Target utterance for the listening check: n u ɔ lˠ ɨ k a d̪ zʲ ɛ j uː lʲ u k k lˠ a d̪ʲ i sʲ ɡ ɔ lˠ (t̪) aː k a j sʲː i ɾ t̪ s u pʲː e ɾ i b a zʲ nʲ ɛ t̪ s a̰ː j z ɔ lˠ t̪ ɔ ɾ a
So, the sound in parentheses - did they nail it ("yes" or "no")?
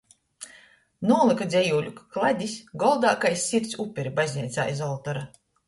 no